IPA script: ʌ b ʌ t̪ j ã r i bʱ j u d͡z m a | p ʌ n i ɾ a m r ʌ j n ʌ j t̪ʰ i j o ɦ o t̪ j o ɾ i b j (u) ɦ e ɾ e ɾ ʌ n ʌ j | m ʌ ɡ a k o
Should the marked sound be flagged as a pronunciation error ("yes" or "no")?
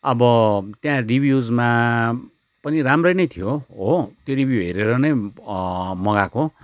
no